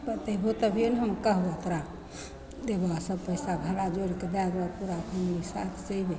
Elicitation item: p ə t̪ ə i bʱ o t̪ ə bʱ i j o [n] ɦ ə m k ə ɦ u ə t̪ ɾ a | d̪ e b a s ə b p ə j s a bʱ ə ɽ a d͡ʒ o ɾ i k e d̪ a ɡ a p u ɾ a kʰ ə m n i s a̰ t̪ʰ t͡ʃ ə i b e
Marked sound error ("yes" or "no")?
no